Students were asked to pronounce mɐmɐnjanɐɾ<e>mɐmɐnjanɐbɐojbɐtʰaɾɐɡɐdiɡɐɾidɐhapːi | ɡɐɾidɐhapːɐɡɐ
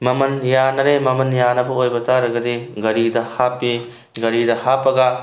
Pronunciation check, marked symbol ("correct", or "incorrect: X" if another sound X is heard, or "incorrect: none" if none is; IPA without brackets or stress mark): correct